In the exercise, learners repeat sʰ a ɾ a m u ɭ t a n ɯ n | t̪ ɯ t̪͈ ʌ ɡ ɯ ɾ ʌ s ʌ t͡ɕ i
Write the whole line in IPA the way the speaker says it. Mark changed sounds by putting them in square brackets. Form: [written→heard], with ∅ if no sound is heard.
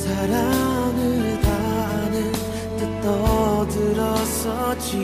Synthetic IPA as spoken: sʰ a ɾ a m [u→ɯ] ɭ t a n ɯ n | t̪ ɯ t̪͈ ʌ [ɡ→d] ɯ ɾ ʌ s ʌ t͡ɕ i